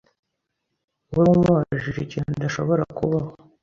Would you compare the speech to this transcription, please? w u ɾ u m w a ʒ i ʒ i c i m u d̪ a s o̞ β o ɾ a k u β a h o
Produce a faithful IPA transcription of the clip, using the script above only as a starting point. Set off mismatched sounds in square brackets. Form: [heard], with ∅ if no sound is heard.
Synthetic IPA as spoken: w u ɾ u m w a ʒ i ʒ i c i [n] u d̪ a [ʃ] o̞ β o ɾ a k u β a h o